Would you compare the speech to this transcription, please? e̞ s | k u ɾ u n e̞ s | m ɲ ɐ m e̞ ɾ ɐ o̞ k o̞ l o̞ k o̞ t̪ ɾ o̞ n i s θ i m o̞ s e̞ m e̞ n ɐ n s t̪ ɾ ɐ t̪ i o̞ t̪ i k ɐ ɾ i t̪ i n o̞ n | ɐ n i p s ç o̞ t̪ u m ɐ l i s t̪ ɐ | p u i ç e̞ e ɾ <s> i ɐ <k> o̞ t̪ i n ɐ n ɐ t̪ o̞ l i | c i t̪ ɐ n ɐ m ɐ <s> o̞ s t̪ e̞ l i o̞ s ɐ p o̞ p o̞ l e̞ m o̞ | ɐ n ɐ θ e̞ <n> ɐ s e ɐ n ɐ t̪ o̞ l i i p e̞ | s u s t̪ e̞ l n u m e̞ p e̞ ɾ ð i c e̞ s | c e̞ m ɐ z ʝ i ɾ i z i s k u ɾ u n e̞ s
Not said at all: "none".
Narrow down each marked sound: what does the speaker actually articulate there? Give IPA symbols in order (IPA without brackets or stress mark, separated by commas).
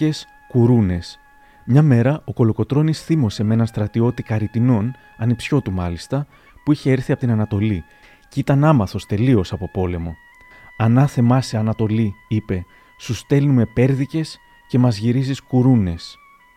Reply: θ, p, θ, m